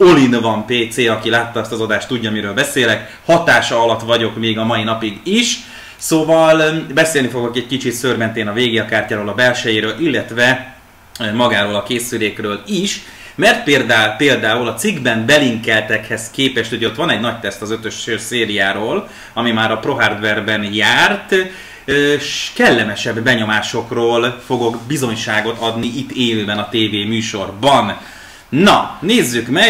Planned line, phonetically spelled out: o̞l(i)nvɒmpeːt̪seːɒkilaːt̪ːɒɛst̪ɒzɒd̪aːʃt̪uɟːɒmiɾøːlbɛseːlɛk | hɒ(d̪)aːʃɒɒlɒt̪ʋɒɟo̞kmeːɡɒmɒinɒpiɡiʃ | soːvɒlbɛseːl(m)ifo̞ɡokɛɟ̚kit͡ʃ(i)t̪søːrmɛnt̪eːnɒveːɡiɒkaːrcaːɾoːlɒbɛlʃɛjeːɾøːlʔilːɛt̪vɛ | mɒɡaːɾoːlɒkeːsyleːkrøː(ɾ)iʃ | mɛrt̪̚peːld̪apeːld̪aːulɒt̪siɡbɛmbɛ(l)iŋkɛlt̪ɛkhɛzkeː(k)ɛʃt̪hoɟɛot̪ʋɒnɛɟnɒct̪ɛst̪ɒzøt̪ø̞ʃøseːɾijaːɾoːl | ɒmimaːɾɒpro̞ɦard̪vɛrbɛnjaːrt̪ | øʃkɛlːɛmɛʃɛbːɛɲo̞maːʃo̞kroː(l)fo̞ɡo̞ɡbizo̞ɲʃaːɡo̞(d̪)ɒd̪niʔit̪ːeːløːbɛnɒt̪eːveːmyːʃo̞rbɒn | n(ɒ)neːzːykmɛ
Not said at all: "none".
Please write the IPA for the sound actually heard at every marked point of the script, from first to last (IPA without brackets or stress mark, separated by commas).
i, t̪, n, i, l, l, p, l, t̪, ɒ